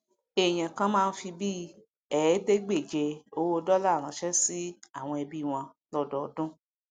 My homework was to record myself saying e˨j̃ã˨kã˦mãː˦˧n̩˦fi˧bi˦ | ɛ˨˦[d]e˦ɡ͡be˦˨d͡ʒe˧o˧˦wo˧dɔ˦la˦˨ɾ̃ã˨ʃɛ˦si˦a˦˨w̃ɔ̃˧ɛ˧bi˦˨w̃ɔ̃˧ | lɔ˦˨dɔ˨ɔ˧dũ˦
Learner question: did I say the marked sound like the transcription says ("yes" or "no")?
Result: yes